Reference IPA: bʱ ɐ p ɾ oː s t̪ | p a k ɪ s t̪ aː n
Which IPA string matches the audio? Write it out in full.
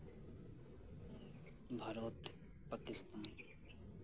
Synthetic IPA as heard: bʱ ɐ ɾ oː t̪ | p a k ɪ s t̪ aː n